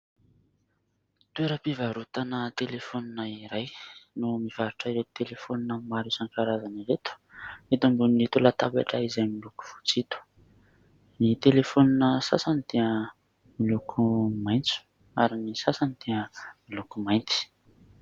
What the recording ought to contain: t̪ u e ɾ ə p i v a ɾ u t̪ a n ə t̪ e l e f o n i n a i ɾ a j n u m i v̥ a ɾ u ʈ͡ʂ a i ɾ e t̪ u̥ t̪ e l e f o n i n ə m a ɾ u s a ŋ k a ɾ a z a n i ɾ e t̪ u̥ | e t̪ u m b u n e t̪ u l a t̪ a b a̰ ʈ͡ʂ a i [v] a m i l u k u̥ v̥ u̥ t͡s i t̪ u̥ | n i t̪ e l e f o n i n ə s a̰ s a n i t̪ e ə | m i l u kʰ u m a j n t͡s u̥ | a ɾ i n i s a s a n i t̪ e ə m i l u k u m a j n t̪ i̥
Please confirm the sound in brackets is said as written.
no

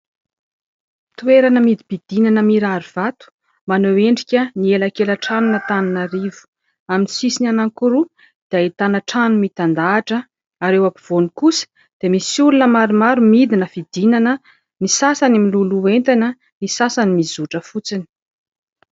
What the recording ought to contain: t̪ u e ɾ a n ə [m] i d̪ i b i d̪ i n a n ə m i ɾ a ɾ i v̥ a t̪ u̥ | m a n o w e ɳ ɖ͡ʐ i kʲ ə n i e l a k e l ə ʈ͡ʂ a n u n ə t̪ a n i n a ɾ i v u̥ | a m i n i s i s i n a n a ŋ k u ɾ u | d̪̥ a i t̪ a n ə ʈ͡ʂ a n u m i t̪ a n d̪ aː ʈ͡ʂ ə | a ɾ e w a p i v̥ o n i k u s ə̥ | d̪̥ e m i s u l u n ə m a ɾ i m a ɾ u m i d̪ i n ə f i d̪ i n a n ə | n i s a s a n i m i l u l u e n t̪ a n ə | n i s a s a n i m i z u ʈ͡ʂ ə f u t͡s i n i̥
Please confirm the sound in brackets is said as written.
yes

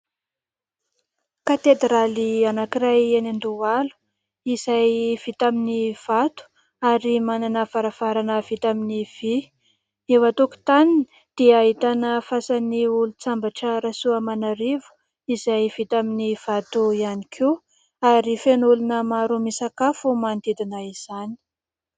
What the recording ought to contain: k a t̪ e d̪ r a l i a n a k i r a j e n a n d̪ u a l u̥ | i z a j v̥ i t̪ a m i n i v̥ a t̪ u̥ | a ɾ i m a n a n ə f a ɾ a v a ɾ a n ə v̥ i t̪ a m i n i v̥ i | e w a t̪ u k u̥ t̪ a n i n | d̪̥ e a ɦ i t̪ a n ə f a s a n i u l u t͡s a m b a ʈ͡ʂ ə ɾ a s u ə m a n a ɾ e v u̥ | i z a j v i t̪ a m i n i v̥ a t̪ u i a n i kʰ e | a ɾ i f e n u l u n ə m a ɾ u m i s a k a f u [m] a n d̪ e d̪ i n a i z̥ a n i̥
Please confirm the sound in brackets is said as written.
yes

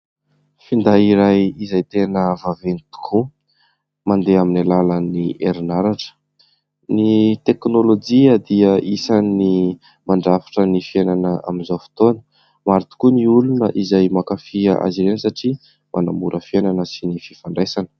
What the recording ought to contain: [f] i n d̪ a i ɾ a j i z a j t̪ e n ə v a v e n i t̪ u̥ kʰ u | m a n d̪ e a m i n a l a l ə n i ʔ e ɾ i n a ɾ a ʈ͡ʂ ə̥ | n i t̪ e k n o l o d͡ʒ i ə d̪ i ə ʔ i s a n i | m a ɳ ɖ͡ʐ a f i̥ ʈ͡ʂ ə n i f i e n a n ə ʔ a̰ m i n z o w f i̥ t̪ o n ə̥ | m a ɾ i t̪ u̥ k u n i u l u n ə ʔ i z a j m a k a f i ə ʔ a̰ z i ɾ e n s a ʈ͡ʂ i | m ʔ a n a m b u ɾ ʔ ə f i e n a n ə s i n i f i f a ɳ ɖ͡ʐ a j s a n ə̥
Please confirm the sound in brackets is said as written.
yes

